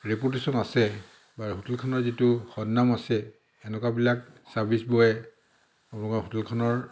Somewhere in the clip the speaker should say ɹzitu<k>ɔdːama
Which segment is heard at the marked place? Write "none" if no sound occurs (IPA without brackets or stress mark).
x